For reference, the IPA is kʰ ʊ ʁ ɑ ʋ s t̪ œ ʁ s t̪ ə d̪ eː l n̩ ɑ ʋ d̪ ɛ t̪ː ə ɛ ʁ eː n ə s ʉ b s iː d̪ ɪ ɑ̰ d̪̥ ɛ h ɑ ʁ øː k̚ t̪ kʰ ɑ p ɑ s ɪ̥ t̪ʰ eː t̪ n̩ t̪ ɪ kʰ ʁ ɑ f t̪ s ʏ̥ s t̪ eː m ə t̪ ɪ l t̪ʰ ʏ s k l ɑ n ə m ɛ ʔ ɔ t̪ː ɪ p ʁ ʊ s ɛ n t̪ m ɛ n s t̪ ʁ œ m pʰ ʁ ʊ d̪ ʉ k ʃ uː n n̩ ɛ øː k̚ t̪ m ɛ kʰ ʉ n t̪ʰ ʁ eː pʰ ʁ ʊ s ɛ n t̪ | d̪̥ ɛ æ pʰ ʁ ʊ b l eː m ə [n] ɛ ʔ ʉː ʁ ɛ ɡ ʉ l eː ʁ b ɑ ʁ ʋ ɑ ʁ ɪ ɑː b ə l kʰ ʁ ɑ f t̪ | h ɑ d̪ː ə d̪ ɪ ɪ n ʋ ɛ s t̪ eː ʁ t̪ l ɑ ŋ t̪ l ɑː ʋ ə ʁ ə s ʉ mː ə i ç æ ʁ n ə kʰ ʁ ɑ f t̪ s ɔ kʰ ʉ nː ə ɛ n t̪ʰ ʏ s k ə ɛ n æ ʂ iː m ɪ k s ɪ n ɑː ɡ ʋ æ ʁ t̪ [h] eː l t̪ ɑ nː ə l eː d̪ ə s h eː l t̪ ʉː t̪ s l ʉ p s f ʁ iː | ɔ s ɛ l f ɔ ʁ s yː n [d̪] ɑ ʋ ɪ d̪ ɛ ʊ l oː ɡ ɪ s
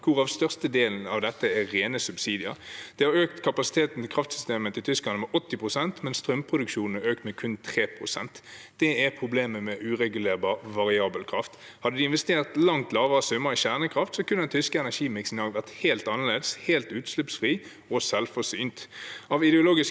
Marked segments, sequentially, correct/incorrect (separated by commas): incorrect, correct, incorrect